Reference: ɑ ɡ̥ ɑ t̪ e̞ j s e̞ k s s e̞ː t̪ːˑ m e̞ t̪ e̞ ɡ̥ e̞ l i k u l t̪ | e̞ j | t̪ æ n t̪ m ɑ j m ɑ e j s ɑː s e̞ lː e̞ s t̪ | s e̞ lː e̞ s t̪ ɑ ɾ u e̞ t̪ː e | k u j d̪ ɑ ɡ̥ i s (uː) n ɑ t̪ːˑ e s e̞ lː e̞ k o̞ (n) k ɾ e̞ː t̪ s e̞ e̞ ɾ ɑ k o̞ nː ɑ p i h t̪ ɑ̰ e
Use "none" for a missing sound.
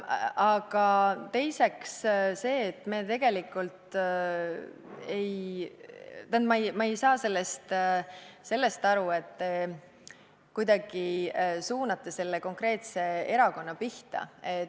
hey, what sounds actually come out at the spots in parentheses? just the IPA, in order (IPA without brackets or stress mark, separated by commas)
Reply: uː, ŋ